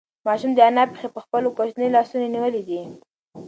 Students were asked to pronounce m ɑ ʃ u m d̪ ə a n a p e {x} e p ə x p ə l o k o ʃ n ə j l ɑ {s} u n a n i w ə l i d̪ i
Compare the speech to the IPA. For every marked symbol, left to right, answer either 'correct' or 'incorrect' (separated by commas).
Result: correct, correct